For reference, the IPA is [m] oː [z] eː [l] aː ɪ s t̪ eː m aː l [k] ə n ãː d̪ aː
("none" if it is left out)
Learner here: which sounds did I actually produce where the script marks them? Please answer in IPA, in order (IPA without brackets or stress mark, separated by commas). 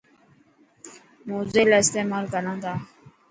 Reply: m, z, l, k